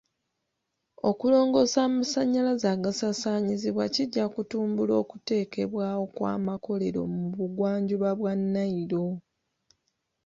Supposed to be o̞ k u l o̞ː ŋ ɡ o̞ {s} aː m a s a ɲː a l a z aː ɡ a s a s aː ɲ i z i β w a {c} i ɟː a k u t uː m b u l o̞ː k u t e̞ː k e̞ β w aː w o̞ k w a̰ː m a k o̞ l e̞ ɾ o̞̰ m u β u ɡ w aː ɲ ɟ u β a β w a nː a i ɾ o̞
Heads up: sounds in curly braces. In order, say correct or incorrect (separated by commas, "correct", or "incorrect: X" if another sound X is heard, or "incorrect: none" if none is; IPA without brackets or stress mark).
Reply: correct, correct